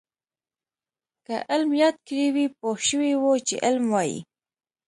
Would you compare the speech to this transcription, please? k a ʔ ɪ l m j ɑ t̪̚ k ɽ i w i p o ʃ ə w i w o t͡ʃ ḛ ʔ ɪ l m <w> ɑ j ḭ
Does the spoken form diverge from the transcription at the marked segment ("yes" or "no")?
no